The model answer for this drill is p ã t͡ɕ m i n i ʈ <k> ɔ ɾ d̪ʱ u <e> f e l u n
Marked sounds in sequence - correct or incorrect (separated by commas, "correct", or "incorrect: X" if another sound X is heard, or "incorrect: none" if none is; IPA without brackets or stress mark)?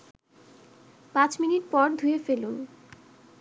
incorrect: p, correct